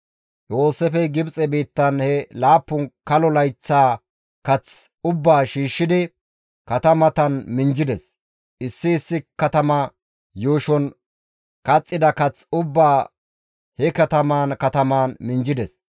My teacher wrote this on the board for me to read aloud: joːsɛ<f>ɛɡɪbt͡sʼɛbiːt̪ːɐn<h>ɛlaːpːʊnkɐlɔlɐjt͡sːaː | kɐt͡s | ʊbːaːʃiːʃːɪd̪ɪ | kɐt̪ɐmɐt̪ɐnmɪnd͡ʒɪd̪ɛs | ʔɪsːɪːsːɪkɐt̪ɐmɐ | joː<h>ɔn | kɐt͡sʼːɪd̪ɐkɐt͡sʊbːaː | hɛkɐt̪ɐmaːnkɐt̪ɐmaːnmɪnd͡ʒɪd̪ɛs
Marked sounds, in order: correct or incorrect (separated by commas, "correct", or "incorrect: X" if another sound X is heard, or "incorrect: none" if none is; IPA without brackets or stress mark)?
correct, correct, incorrect: ʃ